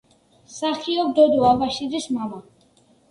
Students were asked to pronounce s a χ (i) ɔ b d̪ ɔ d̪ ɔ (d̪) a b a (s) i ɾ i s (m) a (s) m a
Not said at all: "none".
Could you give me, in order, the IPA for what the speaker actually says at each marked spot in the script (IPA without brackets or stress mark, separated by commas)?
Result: i, none, ʃ, m, none